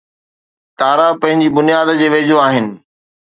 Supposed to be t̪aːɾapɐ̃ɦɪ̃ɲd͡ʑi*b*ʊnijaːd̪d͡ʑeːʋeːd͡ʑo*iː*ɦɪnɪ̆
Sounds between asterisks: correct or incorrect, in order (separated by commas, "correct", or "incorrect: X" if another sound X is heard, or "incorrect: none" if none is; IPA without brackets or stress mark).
correct, incorrect: aː